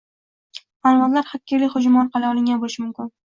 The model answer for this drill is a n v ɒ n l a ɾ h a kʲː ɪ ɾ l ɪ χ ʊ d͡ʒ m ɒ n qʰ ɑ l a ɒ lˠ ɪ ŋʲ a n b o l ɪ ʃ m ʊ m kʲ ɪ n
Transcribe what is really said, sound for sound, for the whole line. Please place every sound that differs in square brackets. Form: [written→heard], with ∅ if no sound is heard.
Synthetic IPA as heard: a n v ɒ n l a ɾ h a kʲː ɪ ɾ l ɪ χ ʊ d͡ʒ m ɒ n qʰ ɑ l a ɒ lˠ ɪ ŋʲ a n b o l ɪ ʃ m ʊ m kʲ ɪ n